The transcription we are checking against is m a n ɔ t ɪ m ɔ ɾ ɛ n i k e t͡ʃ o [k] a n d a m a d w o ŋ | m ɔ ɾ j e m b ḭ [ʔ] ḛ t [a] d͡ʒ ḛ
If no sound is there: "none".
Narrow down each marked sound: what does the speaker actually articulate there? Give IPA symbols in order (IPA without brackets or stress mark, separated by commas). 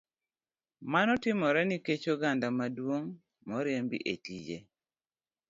ɡ, ʔ, i